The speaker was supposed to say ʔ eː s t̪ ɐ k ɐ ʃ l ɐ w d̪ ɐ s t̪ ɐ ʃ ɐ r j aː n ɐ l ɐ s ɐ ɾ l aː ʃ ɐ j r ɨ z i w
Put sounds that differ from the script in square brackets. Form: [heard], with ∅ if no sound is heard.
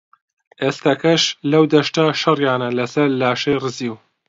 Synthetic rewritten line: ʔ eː s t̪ ɐ k ɐ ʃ l ɐ w d̪ ɐ [ʃ] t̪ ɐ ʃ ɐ r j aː n ɐ l ɐ s ɐ ɾ l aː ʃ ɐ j r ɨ z i w